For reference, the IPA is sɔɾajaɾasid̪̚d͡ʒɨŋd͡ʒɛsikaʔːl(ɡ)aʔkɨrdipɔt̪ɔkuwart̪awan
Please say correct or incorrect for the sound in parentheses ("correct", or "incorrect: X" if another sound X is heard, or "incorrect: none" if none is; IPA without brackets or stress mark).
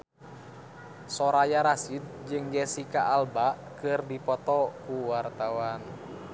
incorrect: b